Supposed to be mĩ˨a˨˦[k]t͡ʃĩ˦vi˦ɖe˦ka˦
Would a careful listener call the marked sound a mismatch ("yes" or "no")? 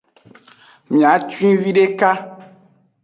yes